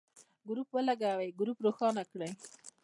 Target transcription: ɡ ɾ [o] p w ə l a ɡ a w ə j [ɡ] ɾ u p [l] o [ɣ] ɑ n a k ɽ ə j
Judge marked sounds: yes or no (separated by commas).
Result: no, yes, no, no